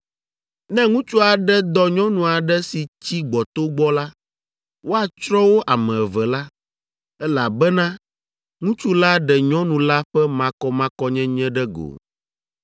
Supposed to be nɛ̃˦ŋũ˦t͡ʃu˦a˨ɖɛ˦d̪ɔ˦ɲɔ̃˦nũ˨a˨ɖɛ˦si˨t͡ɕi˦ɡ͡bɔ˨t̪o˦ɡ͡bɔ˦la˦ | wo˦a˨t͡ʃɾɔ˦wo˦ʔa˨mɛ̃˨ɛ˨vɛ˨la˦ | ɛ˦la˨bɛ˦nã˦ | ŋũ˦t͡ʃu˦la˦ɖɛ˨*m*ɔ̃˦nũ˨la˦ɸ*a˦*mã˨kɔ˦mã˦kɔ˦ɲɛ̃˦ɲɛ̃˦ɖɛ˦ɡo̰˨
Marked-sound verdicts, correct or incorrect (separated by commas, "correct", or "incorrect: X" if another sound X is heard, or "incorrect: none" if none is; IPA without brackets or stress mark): incorrect: ɲ, incorrect: ɛ˦